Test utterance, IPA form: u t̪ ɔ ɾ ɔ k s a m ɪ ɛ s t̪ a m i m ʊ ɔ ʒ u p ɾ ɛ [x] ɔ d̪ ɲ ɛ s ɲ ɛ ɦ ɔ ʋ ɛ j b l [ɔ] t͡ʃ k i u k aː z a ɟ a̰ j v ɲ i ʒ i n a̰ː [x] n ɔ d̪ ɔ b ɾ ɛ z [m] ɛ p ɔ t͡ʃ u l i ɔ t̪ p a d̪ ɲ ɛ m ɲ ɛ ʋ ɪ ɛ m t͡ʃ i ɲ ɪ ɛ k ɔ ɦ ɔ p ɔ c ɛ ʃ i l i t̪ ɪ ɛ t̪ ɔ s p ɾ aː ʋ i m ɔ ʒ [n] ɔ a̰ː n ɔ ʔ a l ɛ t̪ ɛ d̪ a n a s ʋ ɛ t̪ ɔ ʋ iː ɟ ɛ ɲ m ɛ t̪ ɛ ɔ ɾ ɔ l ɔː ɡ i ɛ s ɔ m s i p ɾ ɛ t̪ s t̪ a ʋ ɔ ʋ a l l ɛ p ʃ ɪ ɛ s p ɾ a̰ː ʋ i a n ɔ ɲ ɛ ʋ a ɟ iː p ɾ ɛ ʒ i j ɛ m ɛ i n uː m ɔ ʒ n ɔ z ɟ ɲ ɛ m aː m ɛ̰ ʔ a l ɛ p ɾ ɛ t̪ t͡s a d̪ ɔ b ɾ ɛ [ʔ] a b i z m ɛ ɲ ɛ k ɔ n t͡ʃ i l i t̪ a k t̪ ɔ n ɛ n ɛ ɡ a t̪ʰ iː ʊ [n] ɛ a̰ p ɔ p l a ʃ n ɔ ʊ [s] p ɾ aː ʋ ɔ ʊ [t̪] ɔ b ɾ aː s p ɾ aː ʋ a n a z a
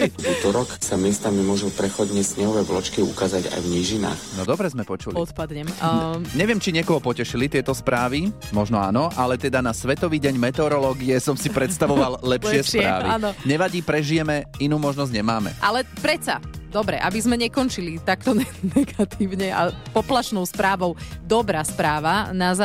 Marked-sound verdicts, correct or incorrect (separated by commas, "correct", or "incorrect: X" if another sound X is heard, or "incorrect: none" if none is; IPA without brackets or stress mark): correct, correct, correct, correct, correct, correct, incorrect: ɲ, correct, incorrect: d̪